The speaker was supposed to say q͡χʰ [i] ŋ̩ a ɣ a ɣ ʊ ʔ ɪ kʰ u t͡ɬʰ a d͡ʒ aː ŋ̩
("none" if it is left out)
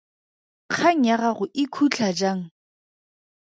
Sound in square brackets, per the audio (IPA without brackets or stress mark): a